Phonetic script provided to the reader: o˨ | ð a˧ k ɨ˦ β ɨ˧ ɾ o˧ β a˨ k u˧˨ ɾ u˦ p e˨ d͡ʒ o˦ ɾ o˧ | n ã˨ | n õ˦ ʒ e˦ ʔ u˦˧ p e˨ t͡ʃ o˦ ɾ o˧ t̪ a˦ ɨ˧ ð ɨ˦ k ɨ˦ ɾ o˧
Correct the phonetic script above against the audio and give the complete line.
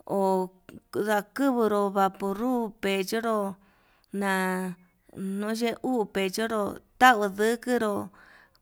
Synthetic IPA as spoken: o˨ | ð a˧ k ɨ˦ β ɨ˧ ɾ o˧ β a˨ p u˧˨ ɾ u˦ p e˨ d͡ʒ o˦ ɾ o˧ | n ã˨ | n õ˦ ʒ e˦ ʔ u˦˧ p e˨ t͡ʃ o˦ ɾ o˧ t̪ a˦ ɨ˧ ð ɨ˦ k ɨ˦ ɾ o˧

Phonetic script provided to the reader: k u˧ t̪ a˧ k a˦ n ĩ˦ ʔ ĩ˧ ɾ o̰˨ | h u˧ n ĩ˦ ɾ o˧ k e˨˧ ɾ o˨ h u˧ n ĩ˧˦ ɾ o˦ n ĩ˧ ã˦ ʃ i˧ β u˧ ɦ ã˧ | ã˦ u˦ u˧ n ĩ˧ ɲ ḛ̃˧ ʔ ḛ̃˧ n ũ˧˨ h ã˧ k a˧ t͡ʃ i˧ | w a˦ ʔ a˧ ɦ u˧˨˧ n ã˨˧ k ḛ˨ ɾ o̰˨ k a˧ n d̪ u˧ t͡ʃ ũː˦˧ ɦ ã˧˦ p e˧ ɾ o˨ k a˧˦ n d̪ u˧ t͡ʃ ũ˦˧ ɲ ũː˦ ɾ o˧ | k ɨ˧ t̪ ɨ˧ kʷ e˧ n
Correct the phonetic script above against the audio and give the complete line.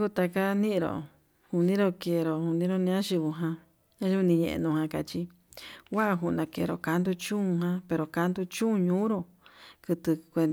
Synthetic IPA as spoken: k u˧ t̪ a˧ k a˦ n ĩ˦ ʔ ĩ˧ ɾ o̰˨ | h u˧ n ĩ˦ ɾ o˧ k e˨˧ ɾ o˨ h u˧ n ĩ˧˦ ɾ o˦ n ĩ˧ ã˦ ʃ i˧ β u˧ ɦ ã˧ | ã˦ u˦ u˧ n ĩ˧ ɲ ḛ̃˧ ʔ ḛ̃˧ n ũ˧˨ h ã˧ k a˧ t͡ʃ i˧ | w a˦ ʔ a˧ ɦ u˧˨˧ n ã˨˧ k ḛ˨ ɾ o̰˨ k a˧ n d̪ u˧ t͡ʃ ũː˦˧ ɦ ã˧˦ p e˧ ɾ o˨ k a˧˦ n d̪ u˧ t͡ʃ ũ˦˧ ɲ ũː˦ ɾ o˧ | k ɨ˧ t̪ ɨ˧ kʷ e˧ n

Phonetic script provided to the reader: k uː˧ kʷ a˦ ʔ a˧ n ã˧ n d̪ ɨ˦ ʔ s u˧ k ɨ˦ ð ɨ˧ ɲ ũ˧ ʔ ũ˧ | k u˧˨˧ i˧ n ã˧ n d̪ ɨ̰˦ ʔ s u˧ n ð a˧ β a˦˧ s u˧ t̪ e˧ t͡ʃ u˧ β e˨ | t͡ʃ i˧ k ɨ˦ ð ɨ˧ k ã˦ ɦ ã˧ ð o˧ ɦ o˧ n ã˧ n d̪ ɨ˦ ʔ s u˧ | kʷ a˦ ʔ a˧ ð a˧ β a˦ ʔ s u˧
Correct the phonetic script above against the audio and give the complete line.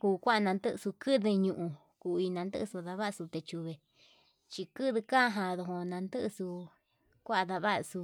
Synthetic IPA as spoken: k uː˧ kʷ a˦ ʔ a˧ n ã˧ n d̪ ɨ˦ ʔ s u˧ k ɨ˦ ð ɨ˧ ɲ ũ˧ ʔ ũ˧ | k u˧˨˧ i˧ n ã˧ n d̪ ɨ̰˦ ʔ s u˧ ð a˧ β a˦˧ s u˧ t̪ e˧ t͡ʃ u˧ β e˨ | t͡ʃ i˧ k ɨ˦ ð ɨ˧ k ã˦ ɦ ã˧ ð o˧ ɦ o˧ n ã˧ n d̪ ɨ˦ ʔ s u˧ | kʷ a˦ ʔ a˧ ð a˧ β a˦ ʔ s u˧

